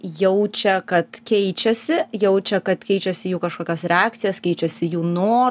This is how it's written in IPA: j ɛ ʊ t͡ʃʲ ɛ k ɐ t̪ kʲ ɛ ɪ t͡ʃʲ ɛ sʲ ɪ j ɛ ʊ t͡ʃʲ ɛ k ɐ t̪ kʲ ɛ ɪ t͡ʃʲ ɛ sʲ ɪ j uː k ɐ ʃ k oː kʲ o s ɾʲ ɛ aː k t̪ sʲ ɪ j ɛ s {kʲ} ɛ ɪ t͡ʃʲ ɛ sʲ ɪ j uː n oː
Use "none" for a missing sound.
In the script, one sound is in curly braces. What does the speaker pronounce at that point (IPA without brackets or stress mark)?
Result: kʲ